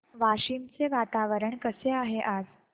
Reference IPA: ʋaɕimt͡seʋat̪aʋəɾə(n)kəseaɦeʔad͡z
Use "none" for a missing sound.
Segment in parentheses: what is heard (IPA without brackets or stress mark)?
ɳ